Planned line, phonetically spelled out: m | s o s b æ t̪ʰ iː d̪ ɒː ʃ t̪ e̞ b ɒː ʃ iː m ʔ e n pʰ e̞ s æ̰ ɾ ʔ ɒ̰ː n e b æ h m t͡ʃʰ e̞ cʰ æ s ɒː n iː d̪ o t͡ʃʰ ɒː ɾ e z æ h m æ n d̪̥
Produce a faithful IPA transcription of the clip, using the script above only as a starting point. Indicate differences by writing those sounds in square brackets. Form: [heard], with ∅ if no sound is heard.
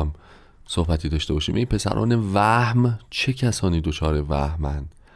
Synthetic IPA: m | s o [h] b æ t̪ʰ iː d̪ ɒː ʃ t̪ e̞ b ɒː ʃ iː m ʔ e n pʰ e̞ s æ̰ ɾ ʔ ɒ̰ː n e [v] æ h m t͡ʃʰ e̞ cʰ æ s ɒː n iː d̪ o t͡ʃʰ ɒː ɾ e [v] æ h m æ n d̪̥